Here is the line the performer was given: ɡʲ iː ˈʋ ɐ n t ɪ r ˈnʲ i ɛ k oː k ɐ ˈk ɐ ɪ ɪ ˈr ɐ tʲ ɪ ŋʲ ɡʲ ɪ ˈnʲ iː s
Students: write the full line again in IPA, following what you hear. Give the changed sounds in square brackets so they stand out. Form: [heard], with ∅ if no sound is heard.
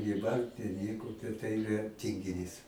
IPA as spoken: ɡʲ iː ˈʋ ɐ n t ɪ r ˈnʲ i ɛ k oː [t] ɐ [ˈt] ɐ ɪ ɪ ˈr ɐ tʲ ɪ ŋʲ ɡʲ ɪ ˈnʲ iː s